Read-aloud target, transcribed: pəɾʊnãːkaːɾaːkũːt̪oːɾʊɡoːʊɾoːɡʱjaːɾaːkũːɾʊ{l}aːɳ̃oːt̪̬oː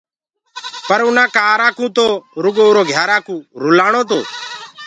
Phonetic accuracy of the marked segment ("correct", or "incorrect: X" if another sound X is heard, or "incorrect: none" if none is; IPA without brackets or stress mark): correct